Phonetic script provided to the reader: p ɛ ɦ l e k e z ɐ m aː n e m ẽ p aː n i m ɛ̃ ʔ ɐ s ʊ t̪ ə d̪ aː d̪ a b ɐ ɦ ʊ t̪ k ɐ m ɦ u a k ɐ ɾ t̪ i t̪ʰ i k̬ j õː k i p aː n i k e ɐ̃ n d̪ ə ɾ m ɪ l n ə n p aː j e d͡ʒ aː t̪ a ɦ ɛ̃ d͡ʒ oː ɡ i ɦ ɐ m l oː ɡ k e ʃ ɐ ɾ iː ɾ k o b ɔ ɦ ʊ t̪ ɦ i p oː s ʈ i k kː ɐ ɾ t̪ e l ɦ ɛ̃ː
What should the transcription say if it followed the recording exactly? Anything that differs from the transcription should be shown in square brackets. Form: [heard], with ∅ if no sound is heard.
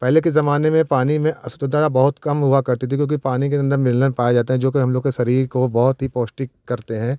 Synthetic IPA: p ɛ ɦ l e k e z ɐ m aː n e m ẽ p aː n i m [ẽ] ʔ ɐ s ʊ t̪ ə d̪ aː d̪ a b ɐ ɦ ʊ t̪ k ɐ m ɦ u a k ɐ ɾ t̪ i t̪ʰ i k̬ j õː k i p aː n i k e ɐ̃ n d̪ ə ɾ m ɪ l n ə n p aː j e d͡ʒ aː t̪ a ɦ ɛ̃ d͡ʒ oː [k] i ɦ ɐ m l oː ɡ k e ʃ ɐ ɾ iː ɾ k o b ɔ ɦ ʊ t̪ ɦ i p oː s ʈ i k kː ɐ ɾ t̪ e [∅] ɦ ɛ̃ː